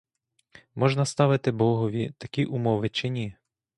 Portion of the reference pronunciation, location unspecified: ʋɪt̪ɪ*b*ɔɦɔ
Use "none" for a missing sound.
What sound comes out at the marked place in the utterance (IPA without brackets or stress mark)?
b